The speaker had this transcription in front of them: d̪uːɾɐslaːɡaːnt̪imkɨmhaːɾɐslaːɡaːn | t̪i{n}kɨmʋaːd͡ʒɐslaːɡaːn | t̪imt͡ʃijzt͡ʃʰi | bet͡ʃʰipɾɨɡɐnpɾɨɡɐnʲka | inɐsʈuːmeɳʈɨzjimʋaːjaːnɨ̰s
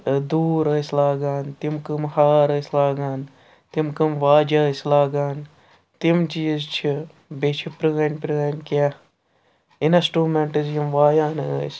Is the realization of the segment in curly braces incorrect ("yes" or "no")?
yes